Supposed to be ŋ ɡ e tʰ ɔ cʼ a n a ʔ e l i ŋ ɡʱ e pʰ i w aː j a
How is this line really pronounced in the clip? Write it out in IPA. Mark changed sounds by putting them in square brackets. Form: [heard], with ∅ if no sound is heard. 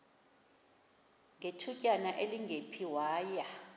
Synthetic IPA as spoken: ŋ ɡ e tʰ [u] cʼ a n a ʔ e l i ŋ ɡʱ e pʰ i w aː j a